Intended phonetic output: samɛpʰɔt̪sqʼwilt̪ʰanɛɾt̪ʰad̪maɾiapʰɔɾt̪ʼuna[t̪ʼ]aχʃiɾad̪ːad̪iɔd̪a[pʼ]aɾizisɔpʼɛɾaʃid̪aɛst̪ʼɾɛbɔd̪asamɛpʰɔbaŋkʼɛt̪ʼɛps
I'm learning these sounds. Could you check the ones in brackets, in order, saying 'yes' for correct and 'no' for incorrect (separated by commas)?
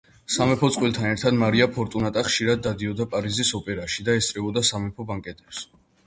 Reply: yes, yes